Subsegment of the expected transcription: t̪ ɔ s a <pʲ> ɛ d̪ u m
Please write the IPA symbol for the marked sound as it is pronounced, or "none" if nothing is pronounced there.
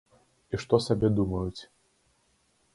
bʲ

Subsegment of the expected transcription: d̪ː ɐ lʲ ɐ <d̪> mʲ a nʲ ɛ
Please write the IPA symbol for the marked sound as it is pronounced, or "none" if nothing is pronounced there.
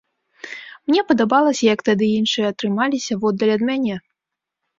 d̪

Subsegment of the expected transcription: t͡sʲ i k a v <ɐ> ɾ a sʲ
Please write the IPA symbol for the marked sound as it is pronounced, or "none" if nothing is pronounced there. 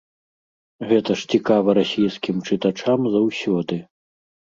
ɐ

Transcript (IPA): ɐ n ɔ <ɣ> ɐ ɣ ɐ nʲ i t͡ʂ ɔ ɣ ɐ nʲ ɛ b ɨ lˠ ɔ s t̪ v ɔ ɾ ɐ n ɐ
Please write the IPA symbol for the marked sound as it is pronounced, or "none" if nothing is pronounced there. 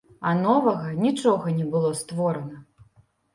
v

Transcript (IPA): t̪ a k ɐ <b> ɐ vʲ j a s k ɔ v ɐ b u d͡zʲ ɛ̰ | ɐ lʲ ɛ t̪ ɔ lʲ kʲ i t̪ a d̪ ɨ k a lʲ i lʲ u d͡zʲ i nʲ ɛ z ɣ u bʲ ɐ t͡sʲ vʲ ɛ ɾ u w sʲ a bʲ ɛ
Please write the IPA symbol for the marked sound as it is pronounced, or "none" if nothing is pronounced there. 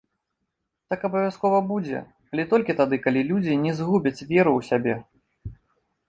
b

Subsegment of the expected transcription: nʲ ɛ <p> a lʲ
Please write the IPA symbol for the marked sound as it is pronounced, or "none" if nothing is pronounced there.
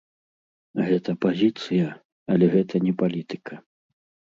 p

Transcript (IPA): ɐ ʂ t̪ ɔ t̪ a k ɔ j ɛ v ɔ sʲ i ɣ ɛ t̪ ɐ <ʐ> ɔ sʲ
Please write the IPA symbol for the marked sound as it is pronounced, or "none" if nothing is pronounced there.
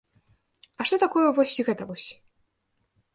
v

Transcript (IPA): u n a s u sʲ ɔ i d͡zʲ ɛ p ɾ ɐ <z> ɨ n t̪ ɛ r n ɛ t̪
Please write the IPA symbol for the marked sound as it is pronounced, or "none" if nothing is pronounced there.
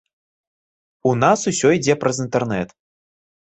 z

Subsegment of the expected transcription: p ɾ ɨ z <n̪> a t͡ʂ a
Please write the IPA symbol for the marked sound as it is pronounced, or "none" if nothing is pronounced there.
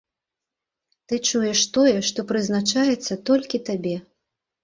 n̪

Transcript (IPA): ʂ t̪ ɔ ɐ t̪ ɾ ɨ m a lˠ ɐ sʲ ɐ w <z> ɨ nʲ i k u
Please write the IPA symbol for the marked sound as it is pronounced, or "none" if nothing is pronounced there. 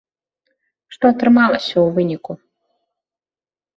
v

